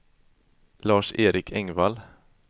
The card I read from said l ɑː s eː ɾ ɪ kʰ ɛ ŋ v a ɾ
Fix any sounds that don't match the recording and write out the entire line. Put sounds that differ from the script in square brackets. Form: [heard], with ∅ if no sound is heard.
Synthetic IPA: l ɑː [ʂ] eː ɾ ɪ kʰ ɛ ŋ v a [l]